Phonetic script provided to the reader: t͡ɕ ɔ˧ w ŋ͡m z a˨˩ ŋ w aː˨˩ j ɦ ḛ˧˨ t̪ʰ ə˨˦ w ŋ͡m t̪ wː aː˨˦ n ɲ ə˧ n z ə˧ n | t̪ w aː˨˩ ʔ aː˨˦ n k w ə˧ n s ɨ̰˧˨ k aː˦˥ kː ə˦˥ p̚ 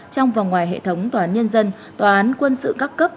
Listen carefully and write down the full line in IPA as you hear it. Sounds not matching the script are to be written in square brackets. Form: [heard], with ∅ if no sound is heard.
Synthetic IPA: t͡ɕ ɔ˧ w ŋ͡m [v] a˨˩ ŋ w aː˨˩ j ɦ ḛ˧˨ t̪ʰ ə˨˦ w ŋ͡m t̪ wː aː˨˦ n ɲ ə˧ n z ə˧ n | t̪ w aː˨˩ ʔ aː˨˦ n k w ə˧ n s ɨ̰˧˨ k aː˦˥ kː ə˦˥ p̚